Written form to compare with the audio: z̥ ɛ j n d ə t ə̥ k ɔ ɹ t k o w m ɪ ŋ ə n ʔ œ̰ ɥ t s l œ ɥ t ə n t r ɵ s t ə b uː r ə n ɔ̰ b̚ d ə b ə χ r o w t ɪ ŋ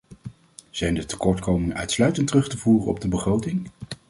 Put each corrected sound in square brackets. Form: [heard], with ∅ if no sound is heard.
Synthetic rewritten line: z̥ ɛ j n d ə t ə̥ k ɔ ɹ t k o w m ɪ ŋ ə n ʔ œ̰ ɥ t s l œ ɥ t ə n t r ɵ [χ] t ə [v] uː r ə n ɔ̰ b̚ d ə b ə χ r o w t ɪ ŋ